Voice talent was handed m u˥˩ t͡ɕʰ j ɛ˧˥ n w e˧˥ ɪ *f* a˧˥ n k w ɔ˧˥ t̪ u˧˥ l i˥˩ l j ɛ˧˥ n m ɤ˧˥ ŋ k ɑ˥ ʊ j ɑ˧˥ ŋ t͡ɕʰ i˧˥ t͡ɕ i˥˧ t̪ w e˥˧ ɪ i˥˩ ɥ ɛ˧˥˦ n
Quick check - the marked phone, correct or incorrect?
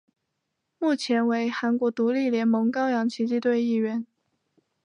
incorrect